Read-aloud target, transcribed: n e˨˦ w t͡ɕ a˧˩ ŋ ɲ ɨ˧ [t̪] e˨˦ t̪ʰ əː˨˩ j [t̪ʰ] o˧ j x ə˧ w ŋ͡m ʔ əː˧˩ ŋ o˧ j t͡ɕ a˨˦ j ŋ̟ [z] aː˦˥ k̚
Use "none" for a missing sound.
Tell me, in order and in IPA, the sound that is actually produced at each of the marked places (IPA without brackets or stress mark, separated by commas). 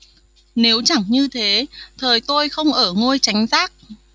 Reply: t̪ʰ, t̪, z